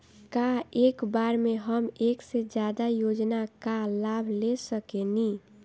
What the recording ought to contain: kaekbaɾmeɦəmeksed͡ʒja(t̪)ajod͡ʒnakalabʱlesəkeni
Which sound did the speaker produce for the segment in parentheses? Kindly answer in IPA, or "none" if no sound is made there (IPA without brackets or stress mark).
d̪